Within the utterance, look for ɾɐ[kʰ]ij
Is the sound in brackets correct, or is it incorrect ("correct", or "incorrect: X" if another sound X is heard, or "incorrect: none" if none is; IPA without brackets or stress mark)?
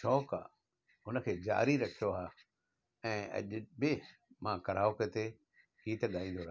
correct